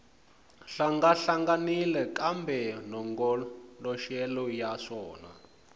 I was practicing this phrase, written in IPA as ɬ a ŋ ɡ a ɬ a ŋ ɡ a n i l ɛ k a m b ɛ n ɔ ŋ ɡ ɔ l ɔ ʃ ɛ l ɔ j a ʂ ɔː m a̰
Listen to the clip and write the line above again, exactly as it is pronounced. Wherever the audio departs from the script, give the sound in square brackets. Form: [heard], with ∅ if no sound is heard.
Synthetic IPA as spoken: ɬ a ŋ ɡ a ɬ a ŋ ɡ a n i l ɛ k a m b ɛ n ɔ ŋ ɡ ɔ l ɔ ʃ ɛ l ɔ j a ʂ ɔː [n] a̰